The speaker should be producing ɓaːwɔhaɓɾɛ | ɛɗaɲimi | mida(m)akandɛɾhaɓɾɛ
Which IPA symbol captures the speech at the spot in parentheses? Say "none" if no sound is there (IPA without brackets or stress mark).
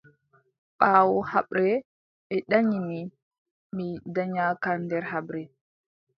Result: ɲ